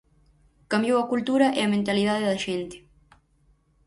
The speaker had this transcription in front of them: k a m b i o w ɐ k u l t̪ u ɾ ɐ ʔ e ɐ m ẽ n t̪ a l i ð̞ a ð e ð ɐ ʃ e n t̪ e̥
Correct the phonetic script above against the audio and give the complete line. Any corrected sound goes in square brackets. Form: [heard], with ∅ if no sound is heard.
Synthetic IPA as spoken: k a m b [j] o w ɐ k u l t̪ u ɾ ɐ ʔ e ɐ m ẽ n t̪ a l i ð̞ a ð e ð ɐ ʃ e n t̪ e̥